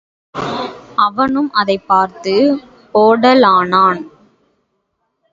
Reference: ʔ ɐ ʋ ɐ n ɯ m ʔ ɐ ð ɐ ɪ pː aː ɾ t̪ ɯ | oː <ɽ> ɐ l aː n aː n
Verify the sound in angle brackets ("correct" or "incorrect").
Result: correct